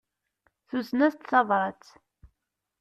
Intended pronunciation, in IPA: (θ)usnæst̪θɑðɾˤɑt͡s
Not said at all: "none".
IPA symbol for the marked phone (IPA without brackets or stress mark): θ